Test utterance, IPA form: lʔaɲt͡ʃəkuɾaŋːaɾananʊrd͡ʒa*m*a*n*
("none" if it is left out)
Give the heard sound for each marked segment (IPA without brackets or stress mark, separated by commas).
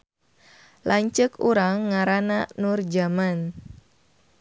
m, n